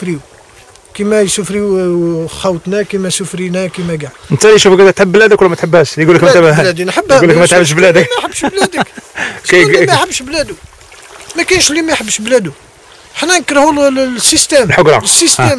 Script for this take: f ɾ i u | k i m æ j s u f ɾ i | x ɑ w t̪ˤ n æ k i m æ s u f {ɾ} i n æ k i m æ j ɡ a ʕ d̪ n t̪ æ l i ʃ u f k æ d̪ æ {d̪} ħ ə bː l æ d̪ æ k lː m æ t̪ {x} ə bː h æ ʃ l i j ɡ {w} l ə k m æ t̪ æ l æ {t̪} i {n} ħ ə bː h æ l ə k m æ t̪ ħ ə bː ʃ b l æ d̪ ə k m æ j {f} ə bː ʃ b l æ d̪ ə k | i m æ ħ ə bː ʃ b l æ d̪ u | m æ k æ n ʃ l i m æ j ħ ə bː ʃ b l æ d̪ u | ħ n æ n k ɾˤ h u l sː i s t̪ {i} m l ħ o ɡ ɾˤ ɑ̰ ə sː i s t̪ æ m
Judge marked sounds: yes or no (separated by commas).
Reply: yes, no, no, no, no, yes, no, no